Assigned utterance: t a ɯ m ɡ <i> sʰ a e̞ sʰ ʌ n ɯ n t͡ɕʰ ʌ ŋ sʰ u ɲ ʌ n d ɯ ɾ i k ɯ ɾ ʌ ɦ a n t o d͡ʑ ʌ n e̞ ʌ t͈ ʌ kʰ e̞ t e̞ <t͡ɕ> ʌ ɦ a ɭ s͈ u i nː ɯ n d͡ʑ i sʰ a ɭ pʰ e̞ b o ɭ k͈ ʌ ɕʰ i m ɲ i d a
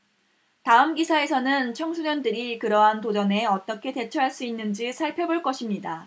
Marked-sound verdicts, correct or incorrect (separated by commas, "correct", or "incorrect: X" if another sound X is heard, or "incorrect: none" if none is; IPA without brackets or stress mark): correct, incorrect: t͡ɕʰ